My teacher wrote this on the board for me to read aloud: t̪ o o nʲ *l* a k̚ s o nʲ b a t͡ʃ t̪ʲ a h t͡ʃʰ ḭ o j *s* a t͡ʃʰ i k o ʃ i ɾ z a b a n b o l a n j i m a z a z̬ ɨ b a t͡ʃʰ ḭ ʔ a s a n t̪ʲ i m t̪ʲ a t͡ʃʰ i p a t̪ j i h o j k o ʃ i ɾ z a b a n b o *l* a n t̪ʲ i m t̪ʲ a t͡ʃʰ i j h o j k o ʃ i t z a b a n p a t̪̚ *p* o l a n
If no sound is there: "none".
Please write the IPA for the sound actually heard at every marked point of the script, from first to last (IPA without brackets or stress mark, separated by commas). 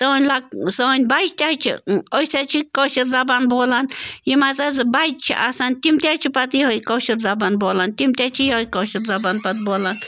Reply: l, s, l, b